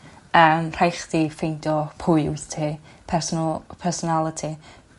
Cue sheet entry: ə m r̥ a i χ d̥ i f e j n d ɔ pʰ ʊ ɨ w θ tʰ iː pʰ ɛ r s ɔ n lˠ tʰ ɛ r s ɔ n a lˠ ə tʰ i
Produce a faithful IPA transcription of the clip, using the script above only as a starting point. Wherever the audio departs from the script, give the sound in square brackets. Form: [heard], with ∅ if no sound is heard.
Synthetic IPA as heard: ə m r̥ a [j] χ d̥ i f e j n d ɔ pʰ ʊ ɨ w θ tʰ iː pʰ ɛ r s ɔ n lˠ [pʰ] ɛ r s ɔ n a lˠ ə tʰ i